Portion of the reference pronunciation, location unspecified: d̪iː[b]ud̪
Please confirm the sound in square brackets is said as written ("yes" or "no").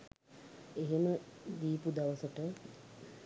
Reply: no